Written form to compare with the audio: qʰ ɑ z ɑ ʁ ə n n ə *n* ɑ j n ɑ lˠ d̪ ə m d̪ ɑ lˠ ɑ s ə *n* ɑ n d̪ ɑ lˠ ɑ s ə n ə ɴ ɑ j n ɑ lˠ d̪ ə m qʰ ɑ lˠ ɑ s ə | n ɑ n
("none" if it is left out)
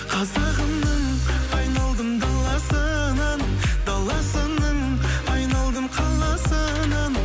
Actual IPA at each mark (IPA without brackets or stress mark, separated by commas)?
ɴ, n